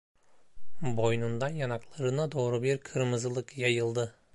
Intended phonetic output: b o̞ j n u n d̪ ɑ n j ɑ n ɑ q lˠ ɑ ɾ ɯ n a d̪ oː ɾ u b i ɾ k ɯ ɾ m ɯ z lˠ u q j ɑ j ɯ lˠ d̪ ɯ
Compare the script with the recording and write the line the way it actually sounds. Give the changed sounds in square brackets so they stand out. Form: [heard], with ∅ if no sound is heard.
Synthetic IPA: b o̞ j n u n d̪ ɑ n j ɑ n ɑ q lˠ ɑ ɾ ɯ n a d̪ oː ɾ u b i ɾ [kʰ] ɯ ɾ m ɯ z lˠ [ɯ] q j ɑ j ɯ lˠ d̪ ɯ

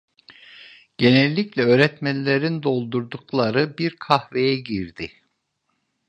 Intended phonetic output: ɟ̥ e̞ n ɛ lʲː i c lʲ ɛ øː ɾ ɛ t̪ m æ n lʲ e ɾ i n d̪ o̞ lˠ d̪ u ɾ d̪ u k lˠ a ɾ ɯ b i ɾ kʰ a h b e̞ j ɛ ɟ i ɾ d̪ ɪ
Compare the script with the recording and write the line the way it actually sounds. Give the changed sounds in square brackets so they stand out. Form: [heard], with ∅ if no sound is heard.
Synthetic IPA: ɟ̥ e̞ n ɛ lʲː i c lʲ ɛ øː ɾ ɛ t̪ m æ n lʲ e ɾ i n d̪ o̞ lˠ d̪ u ɾ d̪ u k lˠ a ɾ ɯ b i ɾ kʰ a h [v] e̞ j ɛ ɟ i ɾ d̪ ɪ

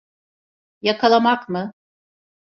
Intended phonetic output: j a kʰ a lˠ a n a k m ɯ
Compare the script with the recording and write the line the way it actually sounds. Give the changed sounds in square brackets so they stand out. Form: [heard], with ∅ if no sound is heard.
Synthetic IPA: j a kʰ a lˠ a [m] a k m ɯ

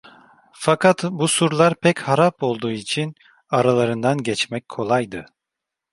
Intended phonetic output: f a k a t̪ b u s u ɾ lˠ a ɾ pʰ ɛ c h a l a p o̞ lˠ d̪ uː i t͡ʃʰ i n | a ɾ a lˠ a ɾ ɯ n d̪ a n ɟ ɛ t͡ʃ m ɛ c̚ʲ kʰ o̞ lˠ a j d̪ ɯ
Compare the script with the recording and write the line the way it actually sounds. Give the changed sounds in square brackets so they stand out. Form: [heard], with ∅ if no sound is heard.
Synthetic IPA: f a k a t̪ b u s u ɾ lˠ a ɾ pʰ ɛ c h a [ɾ] a p o̞ lˠ d̪ uː i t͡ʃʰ i n | a ɾ a lˠ a ɾ ɯ n d̪ a n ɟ ɛ t͡ʃ m ɛ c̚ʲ kʰ o̞ lˠ a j d̪ ɯ

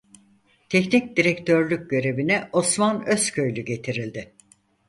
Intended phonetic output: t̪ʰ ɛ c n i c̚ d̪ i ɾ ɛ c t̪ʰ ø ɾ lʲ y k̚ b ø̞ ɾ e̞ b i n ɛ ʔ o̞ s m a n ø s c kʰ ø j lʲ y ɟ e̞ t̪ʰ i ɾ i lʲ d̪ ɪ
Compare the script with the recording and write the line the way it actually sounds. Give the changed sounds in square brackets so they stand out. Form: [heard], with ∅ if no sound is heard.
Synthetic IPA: t̪ʰ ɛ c n i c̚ d̪ i ɾ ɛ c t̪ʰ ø ɾ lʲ y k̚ [ɟ] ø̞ ɾ e̞ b i n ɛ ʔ o̞ s m a n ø s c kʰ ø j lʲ y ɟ e̞ t̪ʰ i ɾ i lʲ d̪ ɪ

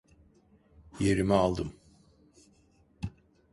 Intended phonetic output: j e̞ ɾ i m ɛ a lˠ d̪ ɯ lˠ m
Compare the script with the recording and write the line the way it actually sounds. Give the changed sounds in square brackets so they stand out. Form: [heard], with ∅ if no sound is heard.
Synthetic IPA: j e̞ ɾ i m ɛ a lˠ d̪ ɯ [∅] m

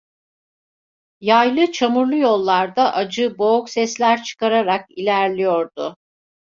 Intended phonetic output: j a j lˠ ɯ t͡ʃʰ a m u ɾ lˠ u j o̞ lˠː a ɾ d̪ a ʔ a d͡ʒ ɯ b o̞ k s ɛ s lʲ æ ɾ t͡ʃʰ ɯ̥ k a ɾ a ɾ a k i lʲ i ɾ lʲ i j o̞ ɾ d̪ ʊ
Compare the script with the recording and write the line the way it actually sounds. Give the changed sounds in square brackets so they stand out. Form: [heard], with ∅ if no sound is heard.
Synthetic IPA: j a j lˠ ɯ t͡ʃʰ a m u ɾ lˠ u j o̞ lˠː a ɾ d̪ a ʔ a d͡ʒ ɯ b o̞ k s ɛ s lʲ æ ɾ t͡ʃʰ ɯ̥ k a ɾ a ɾ a k i lʲ [æ] ɾ lʲ i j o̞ ɾ d̪ ʊ

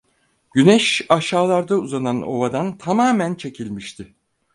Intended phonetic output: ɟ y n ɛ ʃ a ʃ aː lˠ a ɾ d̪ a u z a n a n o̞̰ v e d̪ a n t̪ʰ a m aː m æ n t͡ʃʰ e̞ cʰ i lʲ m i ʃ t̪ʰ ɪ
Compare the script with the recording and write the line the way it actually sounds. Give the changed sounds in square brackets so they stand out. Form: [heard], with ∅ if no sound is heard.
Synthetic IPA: ɟ y n ɛ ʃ a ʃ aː lˠ a ɾ d̪ a u z a n a n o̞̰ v [a] d̪ a n t̪ʰ a m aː m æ n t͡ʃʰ e̞ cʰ i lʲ m i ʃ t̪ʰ ɪ

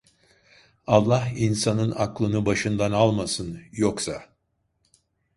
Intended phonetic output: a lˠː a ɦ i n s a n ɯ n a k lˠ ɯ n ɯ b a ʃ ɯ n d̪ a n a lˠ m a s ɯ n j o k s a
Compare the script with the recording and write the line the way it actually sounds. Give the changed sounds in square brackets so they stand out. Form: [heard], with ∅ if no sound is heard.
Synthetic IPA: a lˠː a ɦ i n s a n ɯ n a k lˠ ɯ n ɯ b a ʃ ɯ n d̪ a n a lˠ m a s ɯ n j o k s a

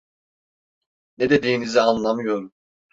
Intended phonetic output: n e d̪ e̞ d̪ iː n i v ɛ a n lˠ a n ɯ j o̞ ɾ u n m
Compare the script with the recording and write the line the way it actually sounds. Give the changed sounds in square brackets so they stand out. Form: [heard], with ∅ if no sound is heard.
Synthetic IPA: n e d̪ e̞ d̪ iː n i [z] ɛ a n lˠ a [m] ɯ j o̞ ɾ u [∅] m

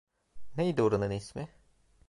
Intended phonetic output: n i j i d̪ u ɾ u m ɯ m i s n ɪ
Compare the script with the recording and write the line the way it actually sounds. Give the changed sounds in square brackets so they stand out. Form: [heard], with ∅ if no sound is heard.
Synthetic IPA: n [e] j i d̪ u ɾ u [n] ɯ [n] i s [m] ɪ

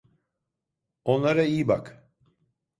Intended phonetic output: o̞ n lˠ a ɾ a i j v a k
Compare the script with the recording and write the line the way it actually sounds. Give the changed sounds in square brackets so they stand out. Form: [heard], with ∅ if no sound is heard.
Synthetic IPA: o̞ n lˠ a ɾ a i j [b] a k

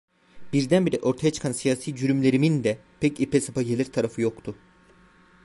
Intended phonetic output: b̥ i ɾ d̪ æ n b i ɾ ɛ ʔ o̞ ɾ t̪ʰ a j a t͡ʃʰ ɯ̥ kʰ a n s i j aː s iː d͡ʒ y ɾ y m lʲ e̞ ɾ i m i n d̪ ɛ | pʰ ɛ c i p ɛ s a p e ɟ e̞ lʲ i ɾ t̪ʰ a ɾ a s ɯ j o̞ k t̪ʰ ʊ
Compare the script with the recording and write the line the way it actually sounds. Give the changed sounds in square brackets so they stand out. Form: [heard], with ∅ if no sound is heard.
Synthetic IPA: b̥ i ɾ d̪ æ n b i ɾ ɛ ʔ o̞ ɾ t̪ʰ a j a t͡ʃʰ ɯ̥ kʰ a n s i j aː s iː d͡ʒ y ɾ y m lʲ e̞ ɾ i m i n d̪ ɛ | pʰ ɛ c i p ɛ s a p [a] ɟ e̞ lʲ i ɾ t̪ʰ a ɾ a [f] ɯ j o̞ k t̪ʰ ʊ

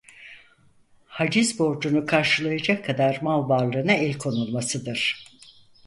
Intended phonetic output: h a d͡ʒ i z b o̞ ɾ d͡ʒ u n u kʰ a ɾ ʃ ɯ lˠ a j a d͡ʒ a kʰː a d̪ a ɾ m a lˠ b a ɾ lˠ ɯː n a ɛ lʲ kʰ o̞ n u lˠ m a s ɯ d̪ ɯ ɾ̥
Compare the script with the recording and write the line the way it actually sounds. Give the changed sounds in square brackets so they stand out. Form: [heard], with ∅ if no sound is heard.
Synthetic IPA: h a d͡ʒ i z b o̞ ɾ d͡ʒ u n u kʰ a ɾ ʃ ɯ lˠ a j a d͡ʒ a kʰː a d̪ a ɾ m a lˠ b a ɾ lˠ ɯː n a ɛ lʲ kʰ o̞ n u lˠ m a s ɯ d̪ ɯ ɾ̥

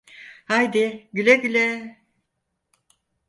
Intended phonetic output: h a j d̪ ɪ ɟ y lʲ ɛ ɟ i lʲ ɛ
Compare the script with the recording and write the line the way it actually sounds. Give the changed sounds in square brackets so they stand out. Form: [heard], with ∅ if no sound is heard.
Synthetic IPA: h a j d̪ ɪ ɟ y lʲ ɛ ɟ [y] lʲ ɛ

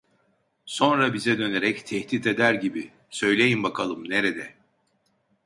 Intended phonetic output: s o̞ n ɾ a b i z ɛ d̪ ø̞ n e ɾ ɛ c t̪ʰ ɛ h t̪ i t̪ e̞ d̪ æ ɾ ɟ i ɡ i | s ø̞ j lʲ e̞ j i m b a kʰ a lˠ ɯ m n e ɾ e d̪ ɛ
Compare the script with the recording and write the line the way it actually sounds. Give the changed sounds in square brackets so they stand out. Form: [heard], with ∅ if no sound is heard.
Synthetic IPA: s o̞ n ɾ a b i z ɛ d̪ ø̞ n e ɾ ɛ c t̪ʰ ɛ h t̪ i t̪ e̞ d̪ æ ɾ ɟ i [b] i | s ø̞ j lʲ e̞ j i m b a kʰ a lˠ ɯ m n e ɾ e d̪ ɛ

